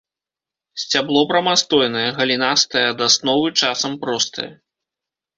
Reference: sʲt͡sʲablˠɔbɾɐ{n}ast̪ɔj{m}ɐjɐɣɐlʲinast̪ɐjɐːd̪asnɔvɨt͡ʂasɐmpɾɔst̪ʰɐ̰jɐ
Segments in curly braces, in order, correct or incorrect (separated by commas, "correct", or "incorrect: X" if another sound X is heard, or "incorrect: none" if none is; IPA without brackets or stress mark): incorrect: m, incorrect: n